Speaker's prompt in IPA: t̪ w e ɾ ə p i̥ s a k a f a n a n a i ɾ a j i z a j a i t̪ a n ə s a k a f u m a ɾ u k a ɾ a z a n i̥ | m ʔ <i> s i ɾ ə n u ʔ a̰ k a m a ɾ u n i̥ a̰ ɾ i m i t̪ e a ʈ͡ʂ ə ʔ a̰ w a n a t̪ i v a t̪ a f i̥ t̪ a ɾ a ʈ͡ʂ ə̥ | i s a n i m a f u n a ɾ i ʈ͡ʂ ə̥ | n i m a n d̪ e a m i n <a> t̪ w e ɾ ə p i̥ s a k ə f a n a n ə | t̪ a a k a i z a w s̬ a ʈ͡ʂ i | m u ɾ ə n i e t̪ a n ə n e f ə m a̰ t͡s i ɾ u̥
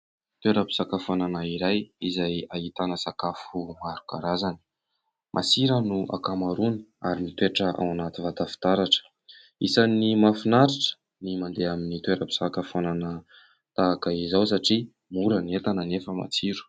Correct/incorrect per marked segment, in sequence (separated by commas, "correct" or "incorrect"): incorrect, incorrect